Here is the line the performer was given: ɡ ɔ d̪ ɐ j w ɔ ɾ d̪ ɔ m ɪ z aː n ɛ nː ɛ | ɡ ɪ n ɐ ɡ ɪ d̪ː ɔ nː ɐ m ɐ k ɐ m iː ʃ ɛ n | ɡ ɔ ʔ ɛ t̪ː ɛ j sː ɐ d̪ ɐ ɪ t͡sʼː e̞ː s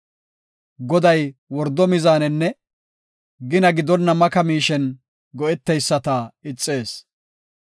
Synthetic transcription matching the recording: ɡ ɔ d̪ ɐ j w ɔ ɾ d̪ ɔ m ɪ z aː n ɛ nː ɛ | ɡ ɪ n ɐ ɡ ɪ d̪ ɔ nː ɐ m ɐ k ɐ m iː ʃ ɛ n | ɡ ɔ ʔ ɛ t̪ː ɛ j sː ɐ t̪ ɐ ɪ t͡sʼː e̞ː s